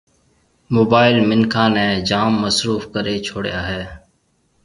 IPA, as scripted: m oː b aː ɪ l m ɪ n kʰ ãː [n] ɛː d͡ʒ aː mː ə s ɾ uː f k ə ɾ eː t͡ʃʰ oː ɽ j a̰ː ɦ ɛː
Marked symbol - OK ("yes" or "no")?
yes